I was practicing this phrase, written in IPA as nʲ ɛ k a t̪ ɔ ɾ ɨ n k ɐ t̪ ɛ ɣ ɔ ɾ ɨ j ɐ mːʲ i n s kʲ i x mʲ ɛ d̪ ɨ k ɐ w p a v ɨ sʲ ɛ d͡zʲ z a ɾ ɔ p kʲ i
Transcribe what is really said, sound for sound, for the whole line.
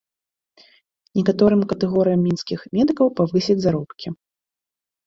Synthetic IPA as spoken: nʲ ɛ k a t̪ ɔ ɾ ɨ m k ɐ t̪ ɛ ɣ ɔ ɾ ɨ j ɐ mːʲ i n s kʲ i x mʲ ɛ d̪ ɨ k ɐ w p a v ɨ sʲ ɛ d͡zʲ z a ɾ ɔ p kʲ i